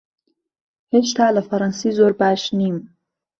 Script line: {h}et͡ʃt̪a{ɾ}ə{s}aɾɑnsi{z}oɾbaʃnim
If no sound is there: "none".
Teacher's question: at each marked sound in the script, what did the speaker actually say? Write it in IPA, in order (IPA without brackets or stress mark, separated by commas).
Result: h, l, f, z